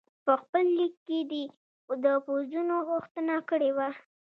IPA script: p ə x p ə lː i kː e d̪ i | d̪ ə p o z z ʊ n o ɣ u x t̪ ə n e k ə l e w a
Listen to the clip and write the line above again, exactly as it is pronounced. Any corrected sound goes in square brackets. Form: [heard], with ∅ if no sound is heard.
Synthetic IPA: p ə x p ə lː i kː e d̪ i | d̪ ə p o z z [u] n o ɣ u x t̪ ə n [a] k ə [ɽ] e w a